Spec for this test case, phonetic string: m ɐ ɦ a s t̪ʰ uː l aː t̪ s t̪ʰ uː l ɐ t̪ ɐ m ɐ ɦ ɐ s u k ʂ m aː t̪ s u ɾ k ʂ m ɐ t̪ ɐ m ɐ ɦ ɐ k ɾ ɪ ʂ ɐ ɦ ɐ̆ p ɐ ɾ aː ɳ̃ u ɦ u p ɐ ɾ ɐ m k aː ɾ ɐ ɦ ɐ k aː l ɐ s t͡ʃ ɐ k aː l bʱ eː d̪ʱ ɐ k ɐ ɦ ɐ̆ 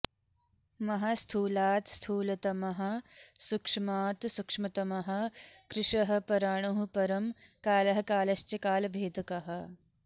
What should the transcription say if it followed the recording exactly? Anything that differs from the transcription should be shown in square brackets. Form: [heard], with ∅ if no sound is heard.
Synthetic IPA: m ɐ ɦ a s t̪ʰ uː l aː t̪ s t̪ʰ uː l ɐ t̪ ɐ m ɐ ɦ ɐ s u k ʂ m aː t̪ s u [∅] k ʂ m ɐ t̪ ɐ m ɐ ɦ ɐ k ɾ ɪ ʂ ɐ ɦ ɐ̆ p ɐ ɾ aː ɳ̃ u ɦ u p ɐ ɾ ɐ m k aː [l] ɐ ɦ ɐ k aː l ɐ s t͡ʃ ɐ k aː l bʱ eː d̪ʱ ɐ k ɐ ɦ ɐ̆